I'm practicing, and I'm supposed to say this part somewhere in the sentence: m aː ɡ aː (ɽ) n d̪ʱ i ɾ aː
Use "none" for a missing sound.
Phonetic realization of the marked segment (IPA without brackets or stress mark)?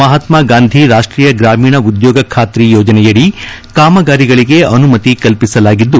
none